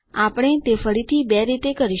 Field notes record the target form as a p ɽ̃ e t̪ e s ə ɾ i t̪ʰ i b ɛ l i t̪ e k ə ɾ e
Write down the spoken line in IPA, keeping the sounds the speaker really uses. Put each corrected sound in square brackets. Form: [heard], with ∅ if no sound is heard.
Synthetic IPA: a p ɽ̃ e t̪ e [f] ə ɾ i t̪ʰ i b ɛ [ɾ] i t̪ e k ə ɾ [i]